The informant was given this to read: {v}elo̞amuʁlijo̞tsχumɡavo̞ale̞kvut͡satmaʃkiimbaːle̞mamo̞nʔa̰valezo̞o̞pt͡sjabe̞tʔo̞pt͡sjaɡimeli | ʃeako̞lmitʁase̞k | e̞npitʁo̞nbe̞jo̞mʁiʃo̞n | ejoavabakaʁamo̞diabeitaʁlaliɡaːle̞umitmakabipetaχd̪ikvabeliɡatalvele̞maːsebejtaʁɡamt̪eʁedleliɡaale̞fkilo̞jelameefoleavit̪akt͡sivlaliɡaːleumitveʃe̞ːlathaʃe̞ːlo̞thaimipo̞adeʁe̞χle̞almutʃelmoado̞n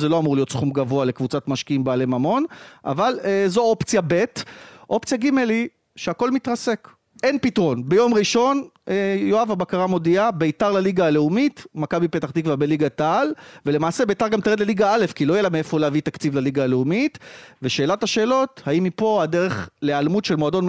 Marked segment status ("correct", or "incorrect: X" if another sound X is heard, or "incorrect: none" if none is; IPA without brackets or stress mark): incorrect: z